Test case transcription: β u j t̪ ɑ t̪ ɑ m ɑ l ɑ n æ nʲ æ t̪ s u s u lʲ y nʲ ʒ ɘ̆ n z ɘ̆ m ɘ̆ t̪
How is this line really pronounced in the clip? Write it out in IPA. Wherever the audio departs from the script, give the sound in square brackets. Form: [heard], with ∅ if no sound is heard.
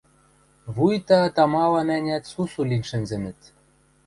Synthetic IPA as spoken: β u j t̪ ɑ t̪ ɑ m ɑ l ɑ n æ nʲ æ t̪ s u s u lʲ [i] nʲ [ʃ] ɘ̆ n z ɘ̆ m ɘ̆ t̪